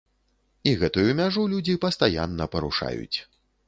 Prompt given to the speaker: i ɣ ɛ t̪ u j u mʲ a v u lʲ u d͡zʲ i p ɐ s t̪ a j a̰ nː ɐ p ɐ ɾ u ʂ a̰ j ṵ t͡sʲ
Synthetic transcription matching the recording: i ɣ ɛ t̪ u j u mʲ a ʐ u lʲ u d͡zʲ i p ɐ s t̪ a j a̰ nː ɐ p ɐ ɾ u ʂ a̰ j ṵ t͡sʲ